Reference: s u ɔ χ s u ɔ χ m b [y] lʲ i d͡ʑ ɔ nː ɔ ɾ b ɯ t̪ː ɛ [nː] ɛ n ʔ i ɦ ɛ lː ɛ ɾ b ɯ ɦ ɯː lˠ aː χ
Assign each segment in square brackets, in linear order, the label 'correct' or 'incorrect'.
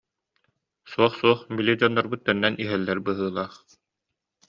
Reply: incorrect: i, correct

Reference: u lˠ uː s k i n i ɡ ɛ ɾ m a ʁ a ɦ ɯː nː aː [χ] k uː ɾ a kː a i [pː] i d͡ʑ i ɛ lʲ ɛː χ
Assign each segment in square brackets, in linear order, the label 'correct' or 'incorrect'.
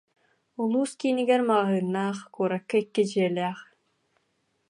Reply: correct, incorrect: kː

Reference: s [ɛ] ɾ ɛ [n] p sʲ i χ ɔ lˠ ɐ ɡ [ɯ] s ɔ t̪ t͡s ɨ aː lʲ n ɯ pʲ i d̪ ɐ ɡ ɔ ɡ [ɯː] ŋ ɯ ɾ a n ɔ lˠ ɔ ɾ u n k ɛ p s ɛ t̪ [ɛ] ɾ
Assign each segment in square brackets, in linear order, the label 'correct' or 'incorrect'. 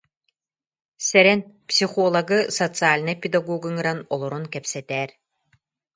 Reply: correct, correct, correct, incorrect: ɯ, incorrect: ɛː

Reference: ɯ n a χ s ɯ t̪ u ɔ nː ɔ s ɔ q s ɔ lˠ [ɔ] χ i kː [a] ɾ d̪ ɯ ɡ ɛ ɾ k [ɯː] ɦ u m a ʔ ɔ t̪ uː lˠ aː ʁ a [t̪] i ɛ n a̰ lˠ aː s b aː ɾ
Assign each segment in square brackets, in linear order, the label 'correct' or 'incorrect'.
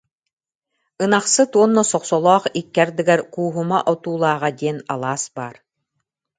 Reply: incorrect: ɔː, incorrect: ɛ, incorrect: uː, incorrect: d̪

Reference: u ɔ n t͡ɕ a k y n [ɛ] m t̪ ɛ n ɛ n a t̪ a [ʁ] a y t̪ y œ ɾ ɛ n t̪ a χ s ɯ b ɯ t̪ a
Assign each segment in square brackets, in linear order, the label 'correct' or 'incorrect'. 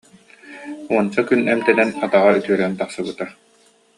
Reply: correct, correct

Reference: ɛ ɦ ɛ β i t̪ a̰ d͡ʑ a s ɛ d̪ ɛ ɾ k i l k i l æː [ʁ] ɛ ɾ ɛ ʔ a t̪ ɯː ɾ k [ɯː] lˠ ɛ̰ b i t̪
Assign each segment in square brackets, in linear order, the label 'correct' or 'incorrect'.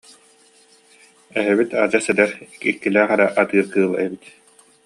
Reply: incorrect: χ, correct

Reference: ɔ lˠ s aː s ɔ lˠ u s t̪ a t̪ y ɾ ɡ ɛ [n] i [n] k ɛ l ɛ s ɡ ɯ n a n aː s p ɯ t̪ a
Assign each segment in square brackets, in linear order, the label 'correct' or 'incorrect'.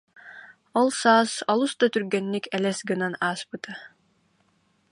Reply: incorrect: nː, incorrect: none

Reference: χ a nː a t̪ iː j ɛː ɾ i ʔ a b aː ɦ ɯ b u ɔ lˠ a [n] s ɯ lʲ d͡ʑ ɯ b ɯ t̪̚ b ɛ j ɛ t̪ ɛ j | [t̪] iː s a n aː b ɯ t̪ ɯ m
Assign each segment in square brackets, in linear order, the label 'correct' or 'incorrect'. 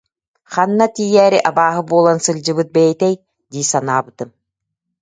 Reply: correct, incorrect: d̪

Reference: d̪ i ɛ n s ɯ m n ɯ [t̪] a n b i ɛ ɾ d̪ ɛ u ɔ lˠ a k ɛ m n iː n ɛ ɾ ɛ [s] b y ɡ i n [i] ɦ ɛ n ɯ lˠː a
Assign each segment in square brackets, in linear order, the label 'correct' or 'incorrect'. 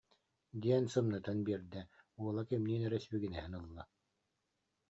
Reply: correct, correct, incorrect: ɛ

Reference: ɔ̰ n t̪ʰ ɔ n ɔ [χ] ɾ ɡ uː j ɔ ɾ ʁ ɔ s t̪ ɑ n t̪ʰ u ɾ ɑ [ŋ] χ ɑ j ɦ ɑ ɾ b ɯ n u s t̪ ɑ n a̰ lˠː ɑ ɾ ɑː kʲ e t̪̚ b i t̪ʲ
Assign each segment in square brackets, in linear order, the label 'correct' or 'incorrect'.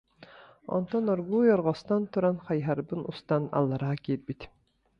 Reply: incorrect: none, incorrect: n

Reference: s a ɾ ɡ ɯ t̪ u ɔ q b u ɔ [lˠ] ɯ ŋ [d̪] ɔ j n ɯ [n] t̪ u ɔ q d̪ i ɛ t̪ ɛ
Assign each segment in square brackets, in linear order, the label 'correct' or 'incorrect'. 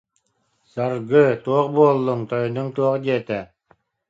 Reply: incorrect: lˠː, incorrect: t̪, incorrect: ŋ

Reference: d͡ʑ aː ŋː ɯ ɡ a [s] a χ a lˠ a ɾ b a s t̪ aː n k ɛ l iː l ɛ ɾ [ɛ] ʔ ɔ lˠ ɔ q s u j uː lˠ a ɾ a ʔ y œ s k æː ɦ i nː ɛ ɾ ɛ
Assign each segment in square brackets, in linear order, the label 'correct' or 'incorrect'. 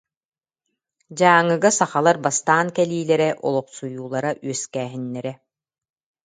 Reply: correct, correct

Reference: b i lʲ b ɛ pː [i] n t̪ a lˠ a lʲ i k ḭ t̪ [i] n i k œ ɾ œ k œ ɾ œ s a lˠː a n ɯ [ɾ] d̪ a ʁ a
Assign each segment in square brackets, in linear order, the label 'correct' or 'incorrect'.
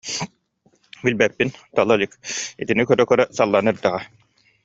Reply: correct, correct, correct

